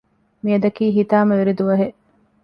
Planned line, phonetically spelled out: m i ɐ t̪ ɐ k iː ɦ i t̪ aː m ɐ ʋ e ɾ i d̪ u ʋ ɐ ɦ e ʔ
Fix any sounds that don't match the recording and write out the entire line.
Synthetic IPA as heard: m i ɐ d̪ ɐ k iː ɦ i t̪ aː m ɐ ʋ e ɾ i d̪ u ʋ ɐ ɦ e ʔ